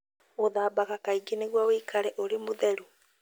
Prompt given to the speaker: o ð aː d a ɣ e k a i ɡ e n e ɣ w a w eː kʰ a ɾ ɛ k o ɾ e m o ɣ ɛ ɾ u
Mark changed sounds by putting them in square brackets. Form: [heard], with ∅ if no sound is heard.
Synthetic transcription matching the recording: o ð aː [b] a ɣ [a] k a i ɡ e n e ɣ w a w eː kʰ a ɾ ɛ [ʔ] o ɾ e m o [ð] ɛ ɾ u

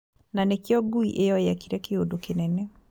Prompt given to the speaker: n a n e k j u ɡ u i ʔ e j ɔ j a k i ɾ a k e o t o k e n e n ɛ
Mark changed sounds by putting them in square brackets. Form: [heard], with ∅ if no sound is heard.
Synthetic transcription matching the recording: n a n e k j [ɔ] ɡ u i ʔ e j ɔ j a k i ɾ [ɛ] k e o [d] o k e n [ɛ] n ɛ

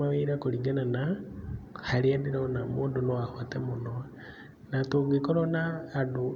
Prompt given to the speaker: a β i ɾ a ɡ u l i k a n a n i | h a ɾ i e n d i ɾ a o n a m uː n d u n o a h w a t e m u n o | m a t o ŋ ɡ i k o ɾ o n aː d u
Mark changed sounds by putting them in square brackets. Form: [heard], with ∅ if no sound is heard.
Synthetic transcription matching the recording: a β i ɾ a [k] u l i [ɡ] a n a n [a] | h a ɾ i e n d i ɾ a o n a m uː n d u n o a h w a t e m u n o | [n] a t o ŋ ɡ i k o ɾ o n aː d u

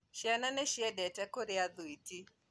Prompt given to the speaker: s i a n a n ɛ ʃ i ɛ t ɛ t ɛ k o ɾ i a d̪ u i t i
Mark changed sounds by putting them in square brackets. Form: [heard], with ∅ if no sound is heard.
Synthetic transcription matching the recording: [ʃ] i a n a n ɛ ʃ i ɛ [d] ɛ t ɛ k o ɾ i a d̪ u i t i

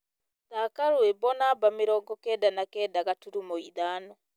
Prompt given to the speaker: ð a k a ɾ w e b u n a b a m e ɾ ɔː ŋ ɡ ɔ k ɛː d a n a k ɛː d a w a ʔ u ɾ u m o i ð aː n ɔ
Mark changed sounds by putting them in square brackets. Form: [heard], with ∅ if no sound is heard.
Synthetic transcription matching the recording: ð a k a ɾ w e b [ɔ] n a b a m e ɾ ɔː ŋ ɡ ɔ k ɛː d a n a k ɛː d a [ɣ] a [t] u ɾ u m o i ð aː n ɔ

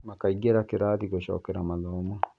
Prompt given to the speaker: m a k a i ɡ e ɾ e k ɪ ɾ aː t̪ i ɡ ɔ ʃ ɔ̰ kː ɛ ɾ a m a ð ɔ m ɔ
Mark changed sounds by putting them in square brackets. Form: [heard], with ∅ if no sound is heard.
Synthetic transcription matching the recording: m a k a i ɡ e ɾ [a] k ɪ ɾ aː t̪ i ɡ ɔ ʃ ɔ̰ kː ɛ ɾ a m a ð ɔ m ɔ

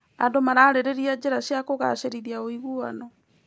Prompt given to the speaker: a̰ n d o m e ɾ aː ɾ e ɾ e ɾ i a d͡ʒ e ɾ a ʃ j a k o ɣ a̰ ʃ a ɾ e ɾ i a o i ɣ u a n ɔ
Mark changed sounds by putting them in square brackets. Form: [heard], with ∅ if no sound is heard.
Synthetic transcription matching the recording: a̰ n d o m [a] ɾ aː ɾ e ɾ e ɾ i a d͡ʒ e ɾ a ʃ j a k o ɣ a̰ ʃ [e] ɾ [i] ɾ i a o i ɣ u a n ɔ

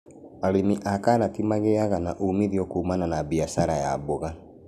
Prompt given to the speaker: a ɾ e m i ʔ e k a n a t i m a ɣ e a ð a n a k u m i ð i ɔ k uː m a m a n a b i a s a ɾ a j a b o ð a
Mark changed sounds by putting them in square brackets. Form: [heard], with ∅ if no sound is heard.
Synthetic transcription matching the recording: a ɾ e m i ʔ [a] k a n a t i m a ɣ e a [ɣ] a n a [ʔ] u m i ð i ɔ k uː m a [n] a n a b i a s a ɾ a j a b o [ɣ] a

